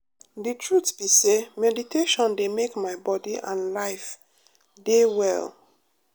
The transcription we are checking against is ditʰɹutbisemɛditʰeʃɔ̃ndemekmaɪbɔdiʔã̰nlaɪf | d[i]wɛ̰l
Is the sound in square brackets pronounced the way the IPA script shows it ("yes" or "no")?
no